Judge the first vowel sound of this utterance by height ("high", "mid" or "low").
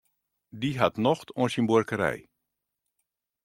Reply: high